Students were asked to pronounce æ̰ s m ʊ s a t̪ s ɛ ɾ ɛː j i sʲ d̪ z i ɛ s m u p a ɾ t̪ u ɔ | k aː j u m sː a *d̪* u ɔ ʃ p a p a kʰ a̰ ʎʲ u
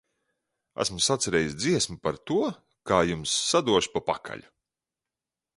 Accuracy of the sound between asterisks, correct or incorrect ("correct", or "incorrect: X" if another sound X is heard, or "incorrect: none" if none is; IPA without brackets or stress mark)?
correct